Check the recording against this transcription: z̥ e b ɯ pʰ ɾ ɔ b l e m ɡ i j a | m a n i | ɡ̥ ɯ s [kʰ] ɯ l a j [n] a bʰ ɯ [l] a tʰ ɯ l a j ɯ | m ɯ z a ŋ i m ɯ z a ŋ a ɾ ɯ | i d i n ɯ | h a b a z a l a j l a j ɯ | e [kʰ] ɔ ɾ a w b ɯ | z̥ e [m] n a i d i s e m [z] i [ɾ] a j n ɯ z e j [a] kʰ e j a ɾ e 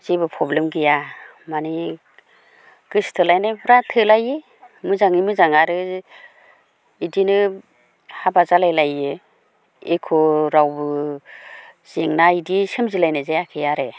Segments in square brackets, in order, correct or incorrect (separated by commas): incorrect, correct, incorrect, correct, incorrect, correct, incorrect, correct